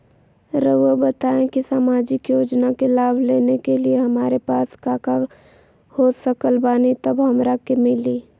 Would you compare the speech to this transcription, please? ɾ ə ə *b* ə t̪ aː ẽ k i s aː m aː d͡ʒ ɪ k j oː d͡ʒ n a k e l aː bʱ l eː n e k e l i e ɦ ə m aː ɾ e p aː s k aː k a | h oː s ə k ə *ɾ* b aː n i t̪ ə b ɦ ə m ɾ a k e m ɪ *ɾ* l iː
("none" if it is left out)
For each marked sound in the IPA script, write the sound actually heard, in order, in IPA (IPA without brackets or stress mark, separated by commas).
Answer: b, l, none